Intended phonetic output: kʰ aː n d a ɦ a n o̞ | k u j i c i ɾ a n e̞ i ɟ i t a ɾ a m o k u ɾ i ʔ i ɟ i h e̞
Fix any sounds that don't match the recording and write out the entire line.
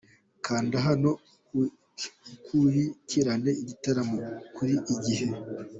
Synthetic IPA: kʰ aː n d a ɦ a n o̞ | k u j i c i ɾ a n e̞ i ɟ i t a ɾ a m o k u ɾ i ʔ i ɟ i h e̞